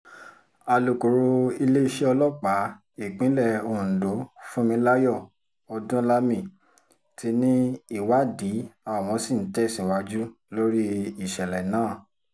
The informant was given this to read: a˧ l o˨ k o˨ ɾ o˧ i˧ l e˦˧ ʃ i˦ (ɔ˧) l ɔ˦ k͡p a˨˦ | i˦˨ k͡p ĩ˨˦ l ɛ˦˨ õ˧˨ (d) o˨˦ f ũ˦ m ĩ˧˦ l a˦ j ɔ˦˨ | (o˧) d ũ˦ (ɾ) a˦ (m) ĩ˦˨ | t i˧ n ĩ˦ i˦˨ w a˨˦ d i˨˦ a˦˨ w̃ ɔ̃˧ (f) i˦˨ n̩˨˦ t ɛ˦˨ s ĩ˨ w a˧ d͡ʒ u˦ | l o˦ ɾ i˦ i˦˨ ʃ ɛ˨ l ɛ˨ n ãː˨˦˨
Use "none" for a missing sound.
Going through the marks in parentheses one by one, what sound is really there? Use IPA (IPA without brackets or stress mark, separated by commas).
ɔ˧, d, ɔ˧, l, m, s